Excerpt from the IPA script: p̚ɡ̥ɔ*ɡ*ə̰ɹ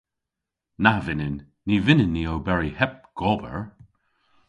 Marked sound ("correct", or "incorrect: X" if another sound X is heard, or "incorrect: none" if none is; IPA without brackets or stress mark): incorrect: b